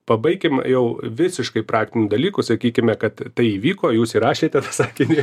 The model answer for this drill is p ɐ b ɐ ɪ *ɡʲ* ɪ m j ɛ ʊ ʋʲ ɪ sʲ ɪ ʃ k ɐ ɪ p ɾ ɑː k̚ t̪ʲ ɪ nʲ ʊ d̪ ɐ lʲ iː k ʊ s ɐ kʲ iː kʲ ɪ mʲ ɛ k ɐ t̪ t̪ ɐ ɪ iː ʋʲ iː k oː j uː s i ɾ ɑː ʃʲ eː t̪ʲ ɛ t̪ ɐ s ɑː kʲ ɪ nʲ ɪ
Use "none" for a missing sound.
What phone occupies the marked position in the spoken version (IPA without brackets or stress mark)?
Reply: kʲ